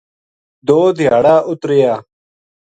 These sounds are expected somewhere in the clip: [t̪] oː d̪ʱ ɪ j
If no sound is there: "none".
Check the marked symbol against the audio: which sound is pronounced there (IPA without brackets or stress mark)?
d̪